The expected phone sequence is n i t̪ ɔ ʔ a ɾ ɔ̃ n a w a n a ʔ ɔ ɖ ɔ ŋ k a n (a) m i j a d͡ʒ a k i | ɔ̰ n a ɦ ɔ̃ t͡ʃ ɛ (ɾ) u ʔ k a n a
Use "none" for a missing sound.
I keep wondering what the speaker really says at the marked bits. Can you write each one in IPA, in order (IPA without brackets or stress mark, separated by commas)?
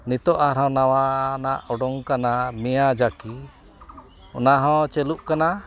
a, l